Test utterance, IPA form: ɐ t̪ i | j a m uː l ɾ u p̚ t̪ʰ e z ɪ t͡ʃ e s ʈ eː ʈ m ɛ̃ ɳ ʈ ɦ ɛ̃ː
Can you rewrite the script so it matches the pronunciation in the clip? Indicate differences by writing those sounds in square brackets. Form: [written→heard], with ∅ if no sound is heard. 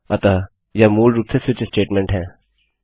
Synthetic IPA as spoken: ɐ t̪ [i→a] | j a m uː l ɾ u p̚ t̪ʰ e [z→s] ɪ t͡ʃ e s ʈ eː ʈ m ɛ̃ ɳ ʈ ɦ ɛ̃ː